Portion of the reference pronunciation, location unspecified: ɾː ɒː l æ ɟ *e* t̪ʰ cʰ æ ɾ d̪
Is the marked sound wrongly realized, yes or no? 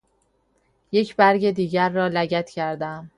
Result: yes